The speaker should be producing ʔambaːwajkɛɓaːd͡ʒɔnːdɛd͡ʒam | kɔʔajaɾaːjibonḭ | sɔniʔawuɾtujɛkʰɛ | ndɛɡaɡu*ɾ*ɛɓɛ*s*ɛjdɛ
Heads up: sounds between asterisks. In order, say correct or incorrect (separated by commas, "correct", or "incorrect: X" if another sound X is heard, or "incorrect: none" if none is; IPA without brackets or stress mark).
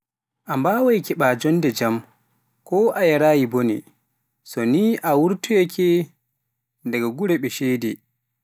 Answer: correct, incorrect: ʃ